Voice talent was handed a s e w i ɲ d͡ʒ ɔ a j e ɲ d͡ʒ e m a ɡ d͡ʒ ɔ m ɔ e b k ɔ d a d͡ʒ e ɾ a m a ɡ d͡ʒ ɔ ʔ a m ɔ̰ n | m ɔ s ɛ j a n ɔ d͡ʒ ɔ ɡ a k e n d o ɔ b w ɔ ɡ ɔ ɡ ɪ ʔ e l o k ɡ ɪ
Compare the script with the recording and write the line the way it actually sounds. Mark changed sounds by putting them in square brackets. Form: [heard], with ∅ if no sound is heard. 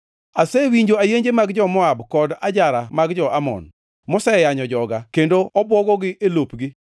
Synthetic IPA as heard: a s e w i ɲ d͡ʒ [o] a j e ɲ d͡ʒ e m a ɡ d͡ʒ ɔ m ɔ [a] b k ɔ d a d͡ʒ [a] ɾ a m a ɡ d͡ʒ ɔ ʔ a m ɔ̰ n | m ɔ s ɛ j a [ɲ] ɔ d͡ʒ ɔ ɡ a k e n d o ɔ b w ɔ ɡ ɔ ɡ ɪ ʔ e l o [p] ɡ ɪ